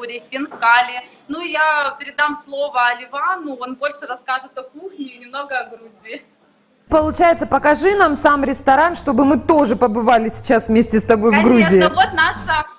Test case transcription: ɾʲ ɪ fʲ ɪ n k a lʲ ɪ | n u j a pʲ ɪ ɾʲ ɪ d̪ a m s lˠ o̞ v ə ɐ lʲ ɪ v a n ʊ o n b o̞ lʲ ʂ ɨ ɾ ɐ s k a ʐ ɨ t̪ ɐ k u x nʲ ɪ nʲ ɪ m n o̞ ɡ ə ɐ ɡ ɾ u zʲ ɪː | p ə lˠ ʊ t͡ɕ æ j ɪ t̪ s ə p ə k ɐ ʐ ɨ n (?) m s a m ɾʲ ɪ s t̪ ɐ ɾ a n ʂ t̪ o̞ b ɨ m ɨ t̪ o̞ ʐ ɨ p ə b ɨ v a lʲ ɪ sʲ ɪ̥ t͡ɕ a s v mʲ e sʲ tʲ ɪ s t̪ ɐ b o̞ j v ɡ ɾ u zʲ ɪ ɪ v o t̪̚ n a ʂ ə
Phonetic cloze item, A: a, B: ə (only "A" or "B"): A